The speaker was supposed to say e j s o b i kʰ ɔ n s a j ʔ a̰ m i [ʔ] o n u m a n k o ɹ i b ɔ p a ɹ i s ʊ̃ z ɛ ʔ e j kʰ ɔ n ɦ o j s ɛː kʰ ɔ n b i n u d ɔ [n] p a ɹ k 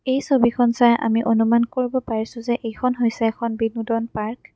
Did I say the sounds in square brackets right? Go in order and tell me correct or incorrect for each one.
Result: correct, correct

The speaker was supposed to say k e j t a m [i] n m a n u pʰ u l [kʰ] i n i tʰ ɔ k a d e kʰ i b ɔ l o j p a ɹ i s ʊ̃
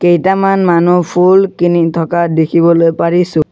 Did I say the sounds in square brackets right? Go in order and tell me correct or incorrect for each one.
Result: incorrect, incorrect

